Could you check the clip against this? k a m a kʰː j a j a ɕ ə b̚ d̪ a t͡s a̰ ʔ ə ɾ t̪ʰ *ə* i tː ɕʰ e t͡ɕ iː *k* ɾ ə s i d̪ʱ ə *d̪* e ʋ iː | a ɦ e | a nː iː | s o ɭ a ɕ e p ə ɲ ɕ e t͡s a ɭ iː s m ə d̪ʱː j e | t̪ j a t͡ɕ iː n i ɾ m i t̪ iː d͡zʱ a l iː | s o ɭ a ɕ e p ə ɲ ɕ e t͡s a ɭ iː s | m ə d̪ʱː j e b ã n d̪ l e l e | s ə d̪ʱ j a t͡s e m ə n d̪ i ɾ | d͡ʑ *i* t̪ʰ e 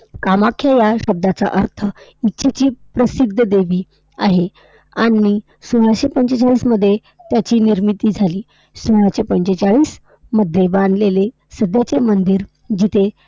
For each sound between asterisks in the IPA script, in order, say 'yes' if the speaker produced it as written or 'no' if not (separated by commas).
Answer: yes, no, yes, yes